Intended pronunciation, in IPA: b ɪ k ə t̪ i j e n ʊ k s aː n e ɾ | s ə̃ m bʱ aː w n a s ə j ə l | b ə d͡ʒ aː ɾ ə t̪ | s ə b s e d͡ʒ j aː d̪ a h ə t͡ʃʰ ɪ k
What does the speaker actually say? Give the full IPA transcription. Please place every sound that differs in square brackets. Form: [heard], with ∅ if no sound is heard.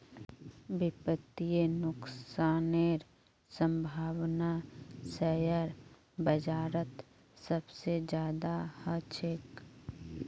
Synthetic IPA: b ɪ [p] ə t̪ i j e n ʊ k s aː n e ɾ | s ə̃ m bʱ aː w n a s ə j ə [ɾ] | b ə d͡ʒ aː ɾ ə t̪ | s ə b s e d͡ʒ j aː d̪ a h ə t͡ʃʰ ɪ k